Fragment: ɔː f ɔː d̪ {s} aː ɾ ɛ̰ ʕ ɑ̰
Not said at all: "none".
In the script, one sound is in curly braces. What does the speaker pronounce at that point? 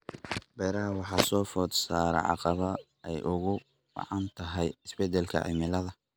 s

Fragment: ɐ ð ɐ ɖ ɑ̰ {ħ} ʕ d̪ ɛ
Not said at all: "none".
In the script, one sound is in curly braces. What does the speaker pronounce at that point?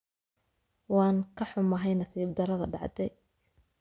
none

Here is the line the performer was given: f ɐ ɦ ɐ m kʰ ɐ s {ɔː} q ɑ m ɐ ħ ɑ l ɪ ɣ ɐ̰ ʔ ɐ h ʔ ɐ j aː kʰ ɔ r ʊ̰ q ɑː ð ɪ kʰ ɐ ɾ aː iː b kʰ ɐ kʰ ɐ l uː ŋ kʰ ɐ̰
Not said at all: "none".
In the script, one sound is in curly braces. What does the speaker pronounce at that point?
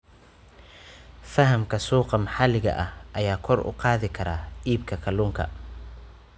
uː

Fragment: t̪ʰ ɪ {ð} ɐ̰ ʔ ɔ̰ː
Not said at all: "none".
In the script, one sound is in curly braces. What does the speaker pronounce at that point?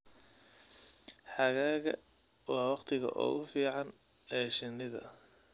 ɣ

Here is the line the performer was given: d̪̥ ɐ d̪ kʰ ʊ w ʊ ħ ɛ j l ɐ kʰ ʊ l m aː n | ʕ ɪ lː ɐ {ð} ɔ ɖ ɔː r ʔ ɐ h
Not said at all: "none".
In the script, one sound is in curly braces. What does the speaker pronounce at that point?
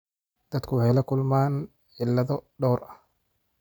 ð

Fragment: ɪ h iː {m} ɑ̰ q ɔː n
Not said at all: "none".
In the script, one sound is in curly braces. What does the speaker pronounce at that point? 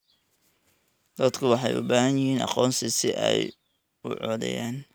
n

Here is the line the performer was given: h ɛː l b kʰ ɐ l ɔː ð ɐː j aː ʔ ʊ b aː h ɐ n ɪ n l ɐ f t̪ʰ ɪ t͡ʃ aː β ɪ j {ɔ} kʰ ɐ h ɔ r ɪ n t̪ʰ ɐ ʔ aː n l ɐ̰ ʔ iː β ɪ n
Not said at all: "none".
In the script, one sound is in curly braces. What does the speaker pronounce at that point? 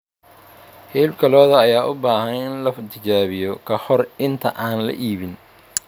ɔ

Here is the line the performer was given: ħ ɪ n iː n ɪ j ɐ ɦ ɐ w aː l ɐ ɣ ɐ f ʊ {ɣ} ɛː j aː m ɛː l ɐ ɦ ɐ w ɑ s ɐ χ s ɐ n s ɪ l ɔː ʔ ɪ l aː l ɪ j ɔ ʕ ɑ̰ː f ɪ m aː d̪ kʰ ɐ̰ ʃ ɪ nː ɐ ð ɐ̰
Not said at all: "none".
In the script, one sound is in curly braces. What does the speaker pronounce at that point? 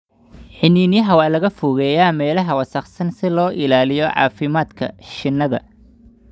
ɣ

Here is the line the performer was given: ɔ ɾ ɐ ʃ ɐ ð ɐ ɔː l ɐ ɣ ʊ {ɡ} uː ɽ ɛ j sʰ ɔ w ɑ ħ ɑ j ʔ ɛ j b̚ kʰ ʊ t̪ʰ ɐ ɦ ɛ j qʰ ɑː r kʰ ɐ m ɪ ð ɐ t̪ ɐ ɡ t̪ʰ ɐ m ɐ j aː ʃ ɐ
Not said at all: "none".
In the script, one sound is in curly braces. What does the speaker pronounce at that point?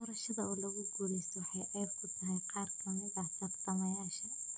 ɡ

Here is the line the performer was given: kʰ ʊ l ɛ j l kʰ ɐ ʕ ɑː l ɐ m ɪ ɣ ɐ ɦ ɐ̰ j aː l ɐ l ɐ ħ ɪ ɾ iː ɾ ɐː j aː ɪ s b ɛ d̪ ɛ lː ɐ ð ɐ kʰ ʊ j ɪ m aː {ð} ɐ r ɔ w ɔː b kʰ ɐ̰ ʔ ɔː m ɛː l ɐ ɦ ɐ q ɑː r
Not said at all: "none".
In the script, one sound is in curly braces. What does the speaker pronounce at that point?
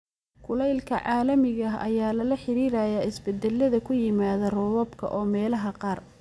ð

